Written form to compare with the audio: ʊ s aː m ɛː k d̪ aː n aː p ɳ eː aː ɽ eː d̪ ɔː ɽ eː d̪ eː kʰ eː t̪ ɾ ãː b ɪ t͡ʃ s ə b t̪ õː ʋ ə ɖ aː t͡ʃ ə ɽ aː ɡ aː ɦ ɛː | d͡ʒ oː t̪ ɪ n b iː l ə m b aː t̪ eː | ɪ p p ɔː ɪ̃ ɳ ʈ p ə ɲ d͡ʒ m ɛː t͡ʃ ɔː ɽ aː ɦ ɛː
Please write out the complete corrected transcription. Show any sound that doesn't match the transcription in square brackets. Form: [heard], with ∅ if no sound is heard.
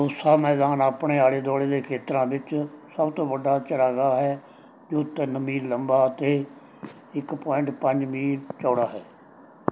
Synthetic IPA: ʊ s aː m ɛː [∅] d̪ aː n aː p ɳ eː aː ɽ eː d̪ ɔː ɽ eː d̪ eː kʰ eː t̪ ɾ ãː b ɪ t͡ʃ s ə b t̪ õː ʋ ə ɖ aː t͡ʃ ə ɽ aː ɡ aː ɦ ɛː | d͡ʒ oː t̪ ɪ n [m] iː l ə m b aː t̪ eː | ɪ [k] p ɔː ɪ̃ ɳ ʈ p ə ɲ d͡ʒ m [iː] t͡ʃ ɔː ɽ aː ɦ ɛː